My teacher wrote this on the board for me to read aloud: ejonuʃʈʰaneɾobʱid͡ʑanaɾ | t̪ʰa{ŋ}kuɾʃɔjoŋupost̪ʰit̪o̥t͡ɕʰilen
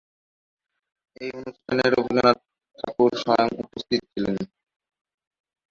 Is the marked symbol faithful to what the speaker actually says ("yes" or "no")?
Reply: no